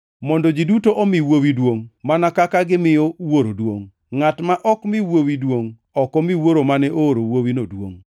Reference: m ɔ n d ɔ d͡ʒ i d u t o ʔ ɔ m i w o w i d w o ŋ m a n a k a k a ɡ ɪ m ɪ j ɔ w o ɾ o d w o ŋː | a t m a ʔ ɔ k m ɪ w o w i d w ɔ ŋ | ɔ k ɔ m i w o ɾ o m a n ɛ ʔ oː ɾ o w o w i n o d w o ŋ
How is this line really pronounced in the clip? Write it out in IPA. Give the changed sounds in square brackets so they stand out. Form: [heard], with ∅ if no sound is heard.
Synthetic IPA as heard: m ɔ n d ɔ d͡ʒ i d u t o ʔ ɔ m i w o w i d w o ŋ m a n a k a k a ɡ ɪ m ɪ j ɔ w o ɾ o d w o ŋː | a t m a ʔ ɔ k m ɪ w o w i d w [o] ŋ | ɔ k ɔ m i w o ɾ o m a n ɛ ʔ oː ɾ o w o w i n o d w o ŋ